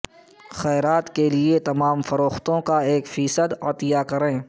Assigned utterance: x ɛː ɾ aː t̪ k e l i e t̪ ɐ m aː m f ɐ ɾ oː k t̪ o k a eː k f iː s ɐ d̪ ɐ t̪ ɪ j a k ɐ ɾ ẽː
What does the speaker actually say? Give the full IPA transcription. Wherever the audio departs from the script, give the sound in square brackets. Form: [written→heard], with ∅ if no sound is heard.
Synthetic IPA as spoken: x ɛː ɾ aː t̪ k e l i e t̪ ɐ m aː m f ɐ ɾ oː [k→x] t̪ [o→õ] k a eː k f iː s [ɐ→ə] d̪ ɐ t̪ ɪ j a k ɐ ɾ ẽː